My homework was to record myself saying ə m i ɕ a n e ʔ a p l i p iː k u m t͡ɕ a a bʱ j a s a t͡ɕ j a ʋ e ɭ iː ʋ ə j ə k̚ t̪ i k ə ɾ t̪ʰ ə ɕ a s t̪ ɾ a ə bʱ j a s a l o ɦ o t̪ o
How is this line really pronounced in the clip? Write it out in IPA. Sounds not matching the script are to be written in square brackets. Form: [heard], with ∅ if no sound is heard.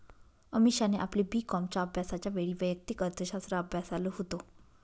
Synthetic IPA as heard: ə m i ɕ a n e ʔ a p l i [b] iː k [ɔ] m t͡ɕ a [ə] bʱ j a s a t͡ɕ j a ʋ e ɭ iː ʋ ə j ə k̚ t̪ i k ə ɾ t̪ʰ ə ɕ a s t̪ ɾ a ə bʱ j a s a l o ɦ o t̪ o